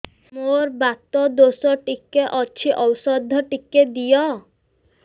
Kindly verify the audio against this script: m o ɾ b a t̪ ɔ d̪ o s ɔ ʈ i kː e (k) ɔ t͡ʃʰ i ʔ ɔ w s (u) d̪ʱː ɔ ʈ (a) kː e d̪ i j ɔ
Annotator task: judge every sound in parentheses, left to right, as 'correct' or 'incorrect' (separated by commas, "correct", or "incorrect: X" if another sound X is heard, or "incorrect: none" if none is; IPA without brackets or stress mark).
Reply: incorrect: ʔ, incorrect: ɔ, incorrect: i